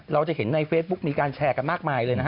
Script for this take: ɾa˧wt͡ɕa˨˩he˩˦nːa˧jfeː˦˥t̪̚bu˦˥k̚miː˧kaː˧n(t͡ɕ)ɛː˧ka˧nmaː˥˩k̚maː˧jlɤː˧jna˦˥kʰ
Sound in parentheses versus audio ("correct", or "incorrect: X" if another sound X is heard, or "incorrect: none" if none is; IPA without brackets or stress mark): incorrect: t͡ɕʰ